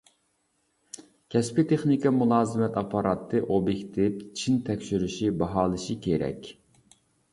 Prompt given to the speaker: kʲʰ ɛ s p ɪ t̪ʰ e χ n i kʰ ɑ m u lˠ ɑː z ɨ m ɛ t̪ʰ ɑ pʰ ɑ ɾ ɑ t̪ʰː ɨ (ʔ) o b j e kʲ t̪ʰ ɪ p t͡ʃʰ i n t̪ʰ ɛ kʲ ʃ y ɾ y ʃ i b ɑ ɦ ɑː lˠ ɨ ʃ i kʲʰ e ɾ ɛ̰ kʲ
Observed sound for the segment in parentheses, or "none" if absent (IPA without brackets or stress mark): ʔ